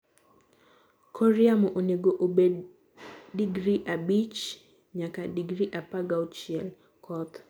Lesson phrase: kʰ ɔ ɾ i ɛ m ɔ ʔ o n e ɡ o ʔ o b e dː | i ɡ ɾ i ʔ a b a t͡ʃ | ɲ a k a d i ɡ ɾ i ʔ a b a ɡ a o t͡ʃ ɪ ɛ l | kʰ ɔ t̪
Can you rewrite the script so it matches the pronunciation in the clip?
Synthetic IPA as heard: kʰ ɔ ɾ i a m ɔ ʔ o n e ɡ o ʔ o b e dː | i ɡ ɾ i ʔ a b i t͡ʃ | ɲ a k a d i ɡ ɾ i ʔ a p a ɡ a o t͡ʃ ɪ ɛ l | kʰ ɔ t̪